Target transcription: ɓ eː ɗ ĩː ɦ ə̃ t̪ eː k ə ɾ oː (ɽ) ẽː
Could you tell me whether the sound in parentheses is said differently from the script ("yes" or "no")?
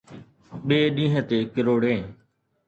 no